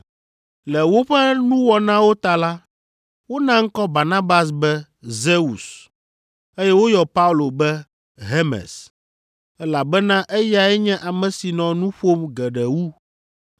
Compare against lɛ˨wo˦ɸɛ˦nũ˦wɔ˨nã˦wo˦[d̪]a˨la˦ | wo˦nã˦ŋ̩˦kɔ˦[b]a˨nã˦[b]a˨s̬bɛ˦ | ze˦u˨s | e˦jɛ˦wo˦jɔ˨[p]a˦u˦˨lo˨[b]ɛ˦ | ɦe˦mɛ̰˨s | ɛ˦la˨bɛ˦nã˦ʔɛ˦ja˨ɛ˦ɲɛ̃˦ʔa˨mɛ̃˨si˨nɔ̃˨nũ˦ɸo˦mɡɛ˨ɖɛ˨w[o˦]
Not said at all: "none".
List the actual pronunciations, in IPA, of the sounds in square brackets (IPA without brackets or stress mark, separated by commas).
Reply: t̪, b, b, p, b, u˦